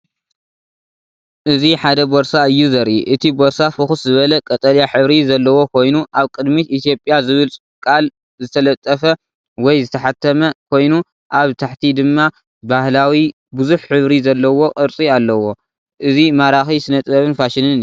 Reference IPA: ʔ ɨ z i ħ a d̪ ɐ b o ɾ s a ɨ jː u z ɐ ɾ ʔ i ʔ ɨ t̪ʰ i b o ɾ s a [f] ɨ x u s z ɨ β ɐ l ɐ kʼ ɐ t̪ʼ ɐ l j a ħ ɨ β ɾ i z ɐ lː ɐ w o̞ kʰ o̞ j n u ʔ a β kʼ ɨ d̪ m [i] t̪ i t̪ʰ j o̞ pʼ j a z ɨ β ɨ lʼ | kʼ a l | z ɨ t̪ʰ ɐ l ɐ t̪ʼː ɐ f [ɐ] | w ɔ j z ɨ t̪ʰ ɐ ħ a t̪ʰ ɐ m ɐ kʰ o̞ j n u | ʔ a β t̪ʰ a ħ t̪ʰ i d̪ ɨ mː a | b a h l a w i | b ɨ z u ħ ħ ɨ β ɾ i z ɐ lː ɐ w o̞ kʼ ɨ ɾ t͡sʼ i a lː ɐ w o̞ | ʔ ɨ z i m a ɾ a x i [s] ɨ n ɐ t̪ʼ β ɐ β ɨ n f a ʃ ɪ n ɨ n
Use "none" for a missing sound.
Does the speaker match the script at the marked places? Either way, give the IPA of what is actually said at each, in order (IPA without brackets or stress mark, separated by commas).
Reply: f, i, ɐ, s